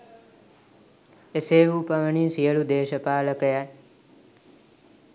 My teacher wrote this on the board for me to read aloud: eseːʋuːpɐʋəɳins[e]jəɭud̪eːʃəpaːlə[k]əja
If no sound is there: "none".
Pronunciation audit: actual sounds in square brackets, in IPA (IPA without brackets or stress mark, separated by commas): i, k